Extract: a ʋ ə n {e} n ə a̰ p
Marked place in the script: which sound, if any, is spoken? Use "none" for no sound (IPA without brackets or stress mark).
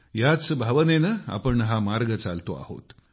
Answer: e